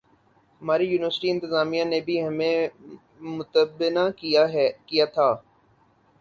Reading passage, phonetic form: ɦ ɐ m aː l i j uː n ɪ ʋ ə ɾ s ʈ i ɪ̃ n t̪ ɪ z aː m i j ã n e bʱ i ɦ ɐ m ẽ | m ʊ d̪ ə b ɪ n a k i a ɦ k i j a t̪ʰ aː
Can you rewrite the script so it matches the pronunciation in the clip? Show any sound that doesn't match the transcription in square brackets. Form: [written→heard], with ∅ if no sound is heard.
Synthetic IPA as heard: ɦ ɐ m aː [l→ɾ] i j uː n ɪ ʋ ə ɾ s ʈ i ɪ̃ n t̪ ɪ z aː m i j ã n e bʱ i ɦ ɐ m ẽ | m ʊ [d̪→t̪] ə b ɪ n a k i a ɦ k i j a t̪ʰ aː